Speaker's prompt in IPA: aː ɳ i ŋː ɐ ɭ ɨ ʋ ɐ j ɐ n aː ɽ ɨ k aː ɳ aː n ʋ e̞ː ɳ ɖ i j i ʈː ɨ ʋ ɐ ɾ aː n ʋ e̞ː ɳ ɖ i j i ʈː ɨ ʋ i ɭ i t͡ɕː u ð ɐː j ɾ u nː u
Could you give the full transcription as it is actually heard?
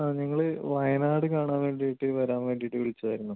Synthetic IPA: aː ɲ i ŋː ɐ ɭ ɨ ʋ ɐ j ɐ n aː ɽ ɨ k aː ɳ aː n ʋ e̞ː ɳ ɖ i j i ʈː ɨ ʋ ɐ ɾ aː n ʋ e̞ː ɳ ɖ i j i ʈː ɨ ʋ i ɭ i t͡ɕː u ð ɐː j ɾ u nː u